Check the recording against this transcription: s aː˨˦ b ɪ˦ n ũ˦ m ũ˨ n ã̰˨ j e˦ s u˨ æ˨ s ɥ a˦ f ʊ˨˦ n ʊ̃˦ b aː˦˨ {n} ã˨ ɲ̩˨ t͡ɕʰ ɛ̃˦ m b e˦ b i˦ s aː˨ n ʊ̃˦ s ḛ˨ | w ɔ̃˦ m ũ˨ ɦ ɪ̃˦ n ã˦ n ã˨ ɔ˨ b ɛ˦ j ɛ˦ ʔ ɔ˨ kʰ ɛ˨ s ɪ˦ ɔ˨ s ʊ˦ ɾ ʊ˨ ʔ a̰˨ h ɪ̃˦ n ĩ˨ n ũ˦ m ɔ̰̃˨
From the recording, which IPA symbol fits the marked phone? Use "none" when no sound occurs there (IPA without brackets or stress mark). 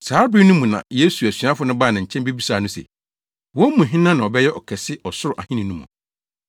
n